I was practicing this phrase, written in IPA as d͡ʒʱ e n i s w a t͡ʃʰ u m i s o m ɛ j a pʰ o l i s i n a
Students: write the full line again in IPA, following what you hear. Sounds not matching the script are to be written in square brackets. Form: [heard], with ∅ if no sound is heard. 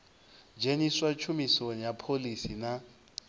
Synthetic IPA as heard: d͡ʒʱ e n i s w a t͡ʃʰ u m i s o [n] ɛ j a pʰ o l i s i n a